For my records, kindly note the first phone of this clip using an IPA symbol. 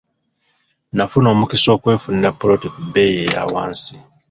n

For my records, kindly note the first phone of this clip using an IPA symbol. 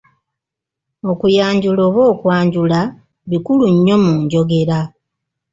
o̞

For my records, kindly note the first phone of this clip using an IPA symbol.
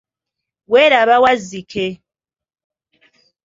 w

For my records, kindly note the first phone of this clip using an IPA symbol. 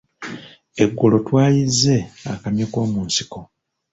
e̞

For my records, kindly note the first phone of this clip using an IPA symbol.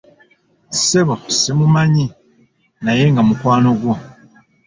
s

